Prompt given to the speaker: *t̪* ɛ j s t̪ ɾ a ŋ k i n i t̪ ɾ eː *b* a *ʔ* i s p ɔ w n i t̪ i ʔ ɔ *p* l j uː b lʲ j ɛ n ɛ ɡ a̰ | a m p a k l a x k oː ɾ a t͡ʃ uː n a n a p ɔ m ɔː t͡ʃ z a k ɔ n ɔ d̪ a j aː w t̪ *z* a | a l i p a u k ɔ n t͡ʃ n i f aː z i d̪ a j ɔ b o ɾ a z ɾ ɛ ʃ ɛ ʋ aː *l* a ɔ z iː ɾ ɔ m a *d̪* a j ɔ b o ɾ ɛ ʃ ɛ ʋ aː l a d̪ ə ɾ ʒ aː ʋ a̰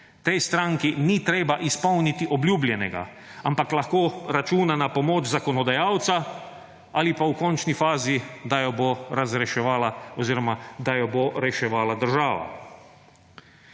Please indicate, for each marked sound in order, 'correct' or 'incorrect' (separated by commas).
correct, correct, correct, incorrect, incorrect, correct, correct